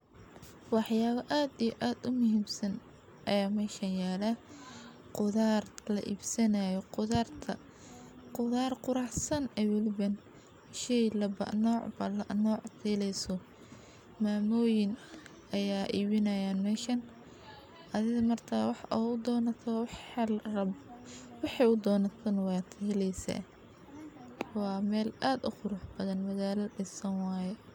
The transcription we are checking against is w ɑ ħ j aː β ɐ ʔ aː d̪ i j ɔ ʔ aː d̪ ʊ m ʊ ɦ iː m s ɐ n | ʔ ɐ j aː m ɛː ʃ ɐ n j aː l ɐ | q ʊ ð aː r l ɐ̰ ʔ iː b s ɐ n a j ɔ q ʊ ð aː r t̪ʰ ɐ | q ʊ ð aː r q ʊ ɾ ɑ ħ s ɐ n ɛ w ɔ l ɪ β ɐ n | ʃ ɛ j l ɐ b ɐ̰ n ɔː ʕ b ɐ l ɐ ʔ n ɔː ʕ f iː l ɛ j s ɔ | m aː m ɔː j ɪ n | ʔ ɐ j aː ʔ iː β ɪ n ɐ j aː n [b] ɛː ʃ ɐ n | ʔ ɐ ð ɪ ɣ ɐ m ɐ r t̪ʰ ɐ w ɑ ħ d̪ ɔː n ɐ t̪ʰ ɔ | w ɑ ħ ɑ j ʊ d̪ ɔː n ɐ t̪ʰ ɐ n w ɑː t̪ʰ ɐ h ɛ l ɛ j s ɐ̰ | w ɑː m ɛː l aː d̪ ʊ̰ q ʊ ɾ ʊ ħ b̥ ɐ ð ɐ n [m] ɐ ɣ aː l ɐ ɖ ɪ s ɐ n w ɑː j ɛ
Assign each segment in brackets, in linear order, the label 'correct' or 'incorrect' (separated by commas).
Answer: incorrect, correct